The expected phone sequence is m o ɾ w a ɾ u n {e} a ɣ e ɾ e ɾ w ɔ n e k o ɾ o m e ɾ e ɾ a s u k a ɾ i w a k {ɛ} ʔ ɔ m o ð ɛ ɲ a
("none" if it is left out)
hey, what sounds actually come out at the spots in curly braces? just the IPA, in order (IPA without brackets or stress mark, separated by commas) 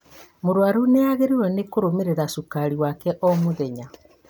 e, ɛ